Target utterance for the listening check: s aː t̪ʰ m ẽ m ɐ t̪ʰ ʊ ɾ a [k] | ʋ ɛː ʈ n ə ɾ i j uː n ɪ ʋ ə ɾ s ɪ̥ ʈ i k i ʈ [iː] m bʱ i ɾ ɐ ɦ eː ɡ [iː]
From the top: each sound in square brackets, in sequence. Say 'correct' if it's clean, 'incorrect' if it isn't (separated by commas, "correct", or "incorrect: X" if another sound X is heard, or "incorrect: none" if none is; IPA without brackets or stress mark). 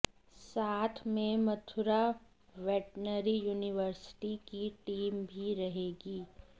incorrect: none, correct, correct